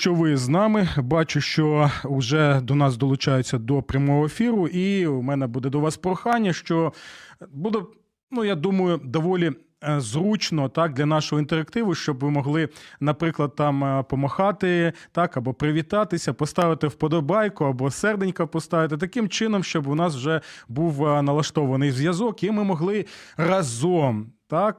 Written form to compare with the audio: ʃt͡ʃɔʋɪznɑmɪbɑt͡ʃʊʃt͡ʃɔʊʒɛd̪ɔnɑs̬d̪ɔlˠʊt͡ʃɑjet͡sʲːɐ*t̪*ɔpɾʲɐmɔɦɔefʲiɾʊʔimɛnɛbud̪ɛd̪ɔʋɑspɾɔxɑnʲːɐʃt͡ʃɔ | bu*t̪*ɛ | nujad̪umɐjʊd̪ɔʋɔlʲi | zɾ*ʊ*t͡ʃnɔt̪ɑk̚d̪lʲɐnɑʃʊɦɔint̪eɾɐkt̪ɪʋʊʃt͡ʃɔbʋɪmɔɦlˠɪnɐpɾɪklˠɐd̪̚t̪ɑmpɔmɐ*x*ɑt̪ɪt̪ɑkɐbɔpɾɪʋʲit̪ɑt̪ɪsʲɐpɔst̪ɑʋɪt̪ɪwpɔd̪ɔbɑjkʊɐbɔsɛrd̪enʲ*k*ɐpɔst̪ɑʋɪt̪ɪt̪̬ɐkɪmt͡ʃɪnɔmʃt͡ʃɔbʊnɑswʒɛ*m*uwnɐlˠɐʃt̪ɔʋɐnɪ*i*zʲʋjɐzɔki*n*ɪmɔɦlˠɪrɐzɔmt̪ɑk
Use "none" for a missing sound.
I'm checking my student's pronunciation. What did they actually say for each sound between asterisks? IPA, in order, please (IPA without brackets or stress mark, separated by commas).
d̪, d̪, u, x, k, b, j, m